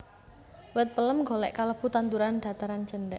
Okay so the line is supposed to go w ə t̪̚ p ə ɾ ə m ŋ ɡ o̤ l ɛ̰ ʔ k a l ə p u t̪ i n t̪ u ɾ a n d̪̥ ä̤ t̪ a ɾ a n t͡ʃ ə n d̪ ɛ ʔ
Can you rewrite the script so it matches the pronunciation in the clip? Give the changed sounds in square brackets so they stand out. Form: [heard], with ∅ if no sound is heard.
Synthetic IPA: w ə t̪̚ p ə [l] ə m ŋ ɡ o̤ l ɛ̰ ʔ k a l ə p u t̪ [a] n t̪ u ɾ a n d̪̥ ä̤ t̪ a ɾ a n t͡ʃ ə n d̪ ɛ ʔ